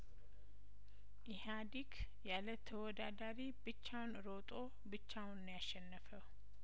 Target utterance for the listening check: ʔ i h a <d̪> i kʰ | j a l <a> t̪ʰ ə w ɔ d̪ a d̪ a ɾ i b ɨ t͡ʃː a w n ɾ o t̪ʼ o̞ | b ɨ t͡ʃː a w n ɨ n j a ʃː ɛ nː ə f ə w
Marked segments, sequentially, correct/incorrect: correct, incorrect

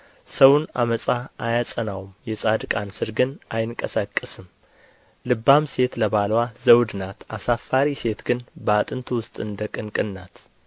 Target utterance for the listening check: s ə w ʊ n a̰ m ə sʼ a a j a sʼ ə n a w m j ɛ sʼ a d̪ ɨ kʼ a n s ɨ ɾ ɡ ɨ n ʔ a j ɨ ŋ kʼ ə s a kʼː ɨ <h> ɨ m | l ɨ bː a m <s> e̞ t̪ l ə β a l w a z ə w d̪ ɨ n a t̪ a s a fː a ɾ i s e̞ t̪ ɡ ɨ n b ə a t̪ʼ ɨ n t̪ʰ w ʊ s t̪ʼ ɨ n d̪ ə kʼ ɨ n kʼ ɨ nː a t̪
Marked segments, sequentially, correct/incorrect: incorrect, correct

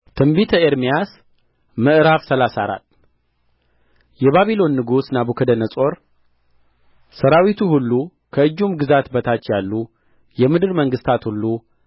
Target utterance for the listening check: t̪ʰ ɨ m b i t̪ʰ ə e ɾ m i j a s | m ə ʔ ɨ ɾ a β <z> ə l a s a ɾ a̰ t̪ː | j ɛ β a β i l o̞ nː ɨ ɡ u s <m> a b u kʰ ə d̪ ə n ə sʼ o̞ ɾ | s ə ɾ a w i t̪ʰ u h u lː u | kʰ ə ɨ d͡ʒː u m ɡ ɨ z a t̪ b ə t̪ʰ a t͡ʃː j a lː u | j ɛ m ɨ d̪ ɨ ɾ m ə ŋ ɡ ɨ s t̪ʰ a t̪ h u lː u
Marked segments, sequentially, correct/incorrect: incorrect, incorrect

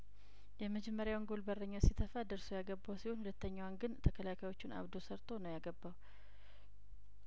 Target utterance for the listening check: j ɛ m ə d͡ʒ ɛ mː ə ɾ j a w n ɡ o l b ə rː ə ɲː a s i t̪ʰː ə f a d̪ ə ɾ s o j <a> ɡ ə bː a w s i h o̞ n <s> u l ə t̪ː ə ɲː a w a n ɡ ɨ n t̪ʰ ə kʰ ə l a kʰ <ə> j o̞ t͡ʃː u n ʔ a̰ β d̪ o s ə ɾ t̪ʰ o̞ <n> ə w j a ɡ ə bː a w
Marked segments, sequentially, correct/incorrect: correct, incorrect, incorrect, correct

